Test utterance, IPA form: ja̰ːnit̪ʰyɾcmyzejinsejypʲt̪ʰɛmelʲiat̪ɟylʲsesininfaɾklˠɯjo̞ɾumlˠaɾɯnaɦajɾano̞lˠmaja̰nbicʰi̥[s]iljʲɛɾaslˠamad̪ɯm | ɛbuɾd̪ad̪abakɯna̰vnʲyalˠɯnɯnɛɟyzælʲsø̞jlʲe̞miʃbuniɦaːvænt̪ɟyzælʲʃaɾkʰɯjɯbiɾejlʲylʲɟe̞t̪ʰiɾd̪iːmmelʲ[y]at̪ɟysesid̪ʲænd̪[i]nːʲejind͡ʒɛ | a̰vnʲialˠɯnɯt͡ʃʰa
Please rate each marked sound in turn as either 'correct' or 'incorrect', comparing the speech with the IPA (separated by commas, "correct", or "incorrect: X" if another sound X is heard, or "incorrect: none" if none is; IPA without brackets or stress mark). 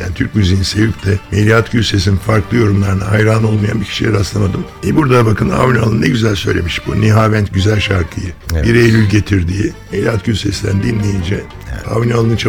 incorrect: ʃ, incorrect: i, correct